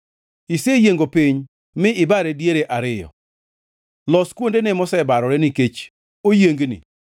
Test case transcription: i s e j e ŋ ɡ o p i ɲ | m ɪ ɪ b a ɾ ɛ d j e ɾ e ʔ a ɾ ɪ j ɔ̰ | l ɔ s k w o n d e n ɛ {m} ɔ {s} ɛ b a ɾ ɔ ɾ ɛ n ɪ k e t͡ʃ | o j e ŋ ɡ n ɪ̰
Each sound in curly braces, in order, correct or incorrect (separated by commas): correct, correct